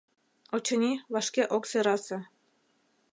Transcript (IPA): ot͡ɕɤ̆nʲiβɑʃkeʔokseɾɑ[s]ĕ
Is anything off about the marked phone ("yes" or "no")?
no